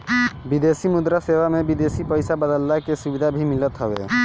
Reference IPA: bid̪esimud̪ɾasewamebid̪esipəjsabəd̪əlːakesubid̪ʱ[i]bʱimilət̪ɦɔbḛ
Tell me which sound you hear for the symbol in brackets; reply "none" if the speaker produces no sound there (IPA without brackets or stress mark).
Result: a